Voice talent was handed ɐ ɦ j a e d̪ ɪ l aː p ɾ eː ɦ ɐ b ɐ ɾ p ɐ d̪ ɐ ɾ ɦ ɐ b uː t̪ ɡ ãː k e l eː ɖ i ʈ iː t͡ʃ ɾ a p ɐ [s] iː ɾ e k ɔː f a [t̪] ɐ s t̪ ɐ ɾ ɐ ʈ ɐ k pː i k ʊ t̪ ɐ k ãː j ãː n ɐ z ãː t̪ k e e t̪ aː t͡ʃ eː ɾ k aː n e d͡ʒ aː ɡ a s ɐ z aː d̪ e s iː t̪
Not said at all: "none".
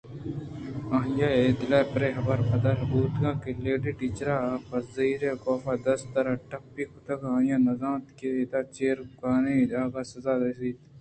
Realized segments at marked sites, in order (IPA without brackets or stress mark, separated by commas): z, d̪